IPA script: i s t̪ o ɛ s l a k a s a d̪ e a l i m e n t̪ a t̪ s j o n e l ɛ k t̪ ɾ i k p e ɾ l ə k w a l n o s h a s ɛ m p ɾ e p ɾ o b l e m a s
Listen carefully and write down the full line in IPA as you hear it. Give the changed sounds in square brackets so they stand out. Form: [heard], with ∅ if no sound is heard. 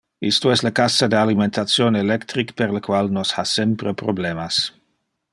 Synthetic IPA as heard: i s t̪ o ɛ s l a k a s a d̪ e a l i m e n t̪ a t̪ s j o n e l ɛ k t̪ ɾ i k p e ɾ l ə k w a l n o s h a s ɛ m p ɾ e p ɾ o b l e m a s